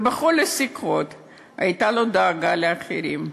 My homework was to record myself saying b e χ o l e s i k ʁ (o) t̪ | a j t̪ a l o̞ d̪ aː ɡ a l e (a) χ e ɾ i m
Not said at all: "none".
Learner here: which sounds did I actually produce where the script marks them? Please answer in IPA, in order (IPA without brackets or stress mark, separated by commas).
o, a